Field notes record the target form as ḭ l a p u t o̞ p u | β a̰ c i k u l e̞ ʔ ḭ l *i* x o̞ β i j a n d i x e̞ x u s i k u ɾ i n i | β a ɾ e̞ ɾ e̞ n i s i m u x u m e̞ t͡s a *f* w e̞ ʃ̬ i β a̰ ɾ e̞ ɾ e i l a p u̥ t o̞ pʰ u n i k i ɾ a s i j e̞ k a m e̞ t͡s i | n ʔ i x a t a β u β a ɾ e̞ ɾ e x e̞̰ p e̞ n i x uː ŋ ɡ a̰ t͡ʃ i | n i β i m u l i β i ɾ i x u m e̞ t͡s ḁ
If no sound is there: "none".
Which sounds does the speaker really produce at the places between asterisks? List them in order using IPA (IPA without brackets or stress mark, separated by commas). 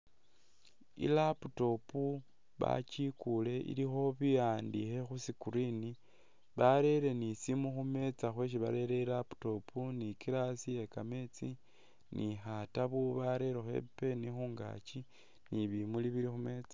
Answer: i, x